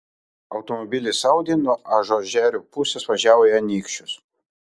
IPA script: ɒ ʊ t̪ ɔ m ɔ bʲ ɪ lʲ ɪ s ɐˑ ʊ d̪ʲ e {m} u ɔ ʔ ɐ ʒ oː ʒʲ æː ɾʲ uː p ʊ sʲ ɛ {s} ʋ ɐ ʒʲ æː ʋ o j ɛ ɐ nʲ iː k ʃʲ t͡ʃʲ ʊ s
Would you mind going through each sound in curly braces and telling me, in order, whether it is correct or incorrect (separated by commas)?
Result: incorrect, correct